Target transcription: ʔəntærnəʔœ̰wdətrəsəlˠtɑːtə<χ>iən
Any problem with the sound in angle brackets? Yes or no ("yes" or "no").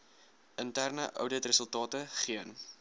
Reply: no